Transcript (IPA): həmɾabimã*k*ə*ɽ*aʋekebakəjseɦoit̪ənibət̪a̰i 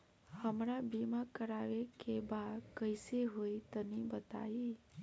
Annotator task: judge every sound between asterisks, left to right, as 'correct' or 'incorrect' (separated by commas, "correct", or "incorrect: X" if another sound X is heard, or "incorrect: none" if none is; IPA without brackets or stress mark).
correct, incorrect: ɾ